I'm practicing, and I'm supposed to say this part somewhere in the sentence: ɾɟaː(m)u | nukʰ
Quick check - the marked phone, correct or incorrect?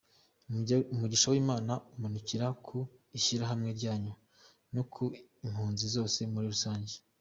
incorrect